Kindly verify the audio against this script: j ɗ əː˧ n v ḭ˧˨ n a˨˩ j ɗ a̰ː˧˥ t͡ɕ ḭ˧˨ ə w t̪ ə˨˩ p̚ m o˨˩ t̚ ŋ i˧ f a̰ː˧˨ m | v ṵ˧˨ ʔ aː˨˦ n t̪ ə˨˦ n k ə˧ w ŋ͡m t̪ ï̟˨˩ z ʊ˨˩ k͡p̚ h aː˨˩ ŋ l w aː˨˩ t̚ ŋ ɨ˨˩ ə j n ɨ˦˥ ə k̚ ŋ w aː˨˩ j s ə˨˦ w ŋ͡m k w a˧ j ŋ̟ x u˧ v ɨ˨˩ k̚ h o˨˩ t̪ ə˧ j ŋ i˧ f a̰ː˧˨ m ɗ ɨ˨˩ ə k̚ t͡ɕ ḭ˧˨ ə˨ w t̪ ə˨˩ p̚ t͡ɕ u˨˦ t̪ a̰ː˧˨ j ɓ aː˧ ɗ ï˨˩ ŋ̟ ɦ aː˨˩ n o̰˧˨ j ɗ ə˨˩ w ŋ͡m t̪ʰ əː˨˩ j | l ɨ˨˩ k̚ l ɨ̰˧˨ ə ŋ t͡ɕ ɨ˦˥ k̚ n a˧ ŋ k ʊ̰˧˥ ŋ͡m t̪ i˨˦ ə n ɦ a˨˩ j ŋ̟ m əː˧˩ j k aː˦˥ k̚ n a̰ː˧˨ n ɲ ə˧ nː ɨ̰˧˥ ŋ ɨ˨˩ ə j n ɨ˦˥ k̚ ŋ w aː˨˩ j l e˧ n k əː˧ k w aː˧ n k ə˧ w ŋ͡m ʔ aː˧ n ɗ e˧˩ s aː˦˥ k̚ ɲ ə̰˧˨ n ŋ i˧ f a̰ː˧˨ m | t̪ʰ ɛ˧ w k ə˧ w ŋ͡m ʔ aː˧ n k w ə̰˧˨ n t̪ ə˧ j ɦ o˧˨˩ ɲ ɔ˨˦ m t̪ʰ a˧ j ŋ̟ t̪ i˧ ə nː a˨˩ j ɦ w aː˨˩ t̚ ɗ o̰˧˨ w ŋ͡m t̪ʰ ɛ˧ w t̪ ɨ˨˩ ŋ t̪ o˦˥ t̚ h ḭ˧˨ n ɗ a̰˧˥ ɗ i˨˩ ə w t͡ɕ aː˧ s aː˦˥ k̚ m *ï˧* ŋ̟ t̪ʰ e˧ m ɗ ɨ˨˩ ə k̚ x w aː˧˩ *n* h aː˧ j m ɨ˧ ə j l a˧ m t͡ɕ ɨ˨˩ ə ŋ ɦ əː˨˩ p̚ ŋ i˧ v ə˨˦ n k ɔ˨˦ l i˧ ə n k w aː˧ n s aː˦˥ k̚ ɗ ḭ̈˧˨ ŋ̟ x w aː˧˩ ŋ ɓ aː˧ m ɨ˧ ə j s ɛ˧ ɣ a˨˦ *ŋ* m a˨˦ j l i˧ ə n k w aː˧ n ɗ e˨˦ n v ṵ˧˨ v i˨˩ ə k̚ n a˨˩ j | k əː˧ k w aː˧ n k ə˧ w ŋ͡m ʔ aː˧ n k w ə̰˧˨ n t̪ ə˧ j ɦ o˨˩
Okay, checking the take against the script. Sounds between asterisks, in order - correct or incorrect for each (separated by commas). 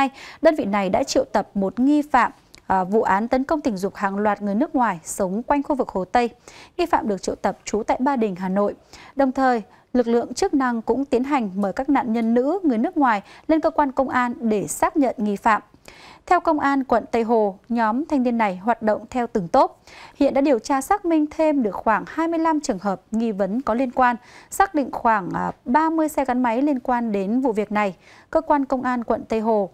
correct, incorrect, incorrect